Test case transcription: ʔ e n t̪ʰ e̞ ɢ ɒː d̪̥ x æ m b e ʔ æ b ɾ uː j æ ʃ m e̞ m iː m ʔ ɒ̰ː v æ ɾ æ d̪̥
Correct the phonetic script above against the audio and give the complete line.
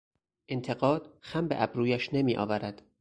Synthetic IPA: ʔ e n t̪ʰ e̞ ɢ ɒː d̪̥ x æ m b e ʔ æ b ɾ uː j æ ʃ n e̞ m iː ʔ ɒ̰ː v æ ɾ æ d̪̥